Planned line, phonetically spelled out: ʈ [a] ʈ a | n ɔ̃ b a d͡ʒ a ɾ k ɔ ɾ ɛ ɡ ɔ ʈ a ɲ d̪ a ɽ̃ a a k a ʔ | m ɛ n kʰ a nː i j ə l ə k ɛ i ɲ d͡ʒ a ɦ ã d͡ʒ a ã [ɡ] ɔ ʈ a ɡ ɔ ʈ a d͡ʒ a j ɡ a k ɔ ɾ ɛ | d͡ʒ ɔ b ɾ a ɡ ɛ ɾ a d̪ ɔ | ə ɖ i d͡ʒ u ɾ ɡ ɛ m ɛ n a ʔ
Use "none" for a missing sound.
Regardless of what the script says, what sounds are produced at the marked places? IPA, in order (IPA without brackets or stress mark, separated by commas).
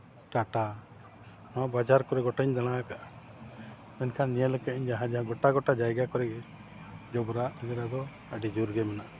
a, ɡ